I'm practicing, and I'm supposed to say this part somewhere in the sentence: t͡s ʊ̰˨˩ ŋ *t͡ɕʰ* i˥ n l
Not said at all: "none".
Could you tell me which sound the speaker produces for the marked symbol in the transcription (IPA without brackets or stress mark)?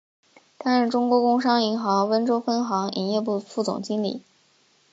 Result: t͡ɕ